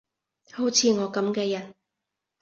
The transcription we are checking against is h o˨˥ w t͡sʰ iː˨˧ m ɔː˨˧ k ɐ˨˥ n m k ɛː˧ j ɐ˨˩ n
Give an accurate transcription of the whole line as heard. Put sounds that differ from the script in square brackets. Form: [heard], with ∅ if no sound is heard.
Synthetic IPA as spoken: h o˨˥ w t͡sʰ iː˨˧ [ŋ] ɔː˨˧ k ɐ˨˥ [∅] m k ɛː˧ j ɐ˨˩ n